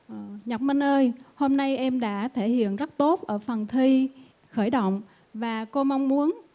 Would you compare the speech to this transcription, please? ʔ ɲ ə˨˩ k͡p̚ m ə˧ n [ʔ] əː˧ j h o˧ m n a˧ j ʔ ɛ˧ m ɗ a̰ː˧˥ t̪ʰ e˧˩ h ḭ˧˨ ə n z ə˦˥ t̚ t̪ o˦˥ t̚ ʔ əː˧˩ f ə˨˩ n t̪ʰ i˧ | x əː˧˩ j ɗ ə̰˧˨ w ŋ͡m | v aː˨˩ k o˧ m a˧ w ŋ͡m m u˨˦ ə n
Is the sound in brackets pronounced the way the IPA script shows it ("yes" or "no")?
yes